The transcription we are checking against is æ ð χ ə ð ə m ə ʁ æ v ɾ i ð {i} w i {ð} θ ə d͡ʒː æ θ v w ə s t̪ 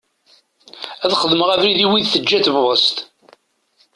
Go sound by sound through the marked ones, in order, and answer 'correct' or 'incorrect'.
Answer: correct, correct

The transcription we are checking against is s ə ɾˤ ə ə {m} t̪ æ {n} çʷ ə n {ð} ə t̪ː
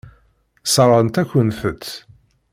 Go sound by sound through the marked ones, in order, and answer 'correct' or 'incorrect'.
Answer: incorrect, incorrect, incorrect

